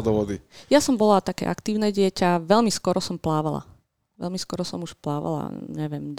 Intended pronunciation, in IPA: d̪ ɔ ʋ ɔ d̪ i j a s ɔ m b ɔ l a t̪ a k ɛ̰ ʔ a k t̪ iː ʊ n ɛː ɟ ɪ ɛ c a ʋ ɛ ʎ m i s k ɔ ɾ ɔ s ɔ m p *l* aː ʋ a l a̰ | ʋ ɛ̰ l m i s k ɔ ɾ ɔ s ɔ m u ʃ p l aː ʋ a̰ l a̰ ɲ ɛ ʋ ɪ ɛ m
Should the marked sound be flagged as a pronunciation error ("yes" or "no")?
no